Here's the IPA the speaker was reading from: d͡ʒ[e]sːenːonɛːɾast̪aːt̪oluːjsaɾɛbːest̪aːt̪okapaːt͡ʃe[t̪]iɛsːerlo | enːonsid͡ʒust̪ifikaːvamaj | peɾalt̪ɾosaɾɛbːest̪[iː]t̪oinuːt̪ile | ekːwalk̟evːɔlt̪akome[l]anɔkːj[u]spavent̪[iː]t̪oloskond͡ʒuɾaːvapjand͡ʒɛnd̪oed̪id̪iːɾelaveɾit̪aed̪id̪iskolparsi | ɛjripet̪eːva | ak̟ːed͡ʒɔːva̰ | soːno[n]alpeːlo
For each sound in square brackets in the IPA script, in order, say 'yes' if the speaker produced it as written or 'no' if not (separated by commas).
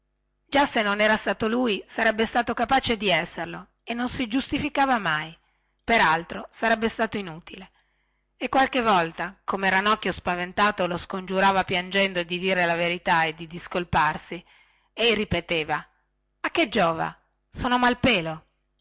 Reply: no, no, no, no, no, no, no